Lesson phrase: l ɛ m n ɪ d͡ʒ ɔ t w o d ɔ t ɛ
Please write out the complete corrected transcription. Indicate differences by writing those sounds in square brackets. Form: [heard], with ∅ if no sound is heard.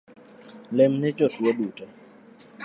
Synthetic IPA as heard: l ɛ m n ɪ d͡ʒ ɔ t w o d [u] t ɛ